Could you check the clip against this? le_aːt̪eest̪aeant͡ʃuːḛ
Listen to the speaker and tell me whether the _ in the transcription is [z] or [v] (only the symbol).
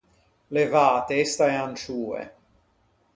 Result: v